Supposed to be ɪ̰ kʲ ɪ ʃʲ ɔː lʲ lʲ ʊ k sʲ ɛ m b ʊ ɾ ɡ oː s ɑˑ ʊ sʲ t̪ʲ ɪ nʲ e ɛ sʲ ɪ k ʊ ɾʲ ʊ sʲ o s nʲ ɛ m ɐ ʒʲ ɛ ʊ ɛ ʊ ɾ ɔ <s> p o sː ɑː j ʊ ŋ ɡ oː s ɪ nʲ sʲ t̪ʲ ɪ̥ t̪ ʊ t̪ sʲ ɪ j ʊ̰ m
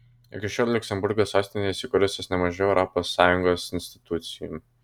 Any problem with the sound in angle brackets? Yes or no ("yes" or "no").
yes